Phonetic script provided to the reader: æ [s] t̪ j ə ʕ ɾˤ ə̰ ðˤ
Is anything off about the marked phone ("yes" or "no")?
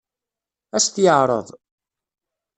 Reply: no